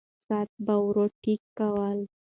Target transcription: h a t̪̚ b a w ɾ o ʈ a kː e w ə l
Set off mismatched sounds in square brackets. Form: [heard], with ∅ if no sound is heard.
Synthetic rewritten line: [s] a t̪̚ b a w ɾ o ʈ [i] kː [a] w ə l